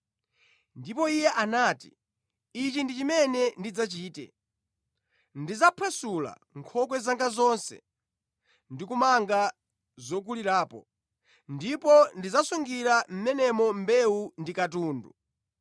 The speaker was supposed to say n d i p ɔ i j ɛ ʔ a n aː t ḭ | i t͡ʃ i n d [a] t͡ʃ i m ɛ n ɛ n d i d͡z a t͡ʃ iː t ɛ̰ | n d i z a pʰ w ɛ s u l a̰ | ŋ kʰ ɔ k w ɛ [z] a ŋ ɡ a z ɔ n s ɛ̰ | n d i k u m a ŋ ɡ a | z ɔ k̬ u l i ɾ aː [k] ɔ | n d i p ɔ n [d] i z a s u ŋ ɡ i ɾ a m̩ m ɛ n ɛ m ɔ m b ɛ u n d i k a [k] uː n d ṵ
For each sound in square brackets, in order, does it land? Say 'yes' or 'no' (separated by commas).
no, yes, no, yes, no